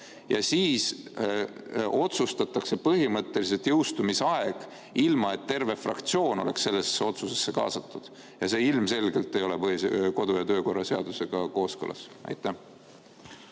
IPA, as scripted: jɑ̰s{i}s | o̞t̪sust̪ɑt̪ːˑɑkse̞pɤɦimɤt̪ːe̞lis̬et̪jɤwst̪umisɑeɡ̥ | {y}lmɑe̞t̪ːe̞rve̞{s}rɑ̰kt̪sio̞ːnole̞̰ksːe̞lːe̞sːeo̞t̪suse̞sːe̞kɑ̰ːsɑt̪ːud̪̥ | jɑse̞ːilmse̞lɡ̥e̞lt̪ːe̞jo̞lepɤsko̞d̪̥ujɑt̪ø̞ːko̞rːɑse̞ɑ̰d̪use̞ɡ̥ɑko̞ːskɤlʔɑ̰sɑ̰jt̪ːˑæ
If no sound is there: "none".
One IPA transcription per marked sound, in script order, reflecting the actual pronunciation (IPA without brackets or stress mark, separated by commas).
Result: iː, i, f